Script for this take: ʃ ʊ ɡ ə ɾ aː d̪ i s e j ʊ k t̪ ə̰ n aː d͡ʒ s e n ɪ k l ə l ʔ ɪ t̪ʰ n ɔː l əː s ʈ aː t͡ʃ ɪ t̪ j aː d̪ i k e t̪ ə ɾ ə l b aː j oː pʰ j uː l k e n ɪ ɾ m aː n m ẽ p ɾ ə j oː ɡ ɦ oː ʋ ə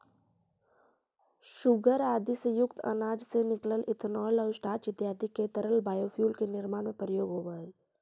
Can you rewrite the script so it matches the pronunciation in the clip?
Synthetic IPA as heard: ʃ ʊ ɡ ə ɾ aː d̪ i s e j ʊ k t̪ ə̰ n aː d͡ʒ s e n ɪ k l ə l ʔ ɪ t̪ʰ n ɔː l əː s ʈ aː t͡ʃ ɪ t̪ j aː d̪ i k e t̪ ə ɾ ə l b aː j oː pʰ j uː l k e n ɪ ɾ m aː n m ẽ p ɾ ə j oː ɡ ɦ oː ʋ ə